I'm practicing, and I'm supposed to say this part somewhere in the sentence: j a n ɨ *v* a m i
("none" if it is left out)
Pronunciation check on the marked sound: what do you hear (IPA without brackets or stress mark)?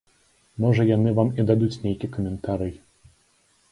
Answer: v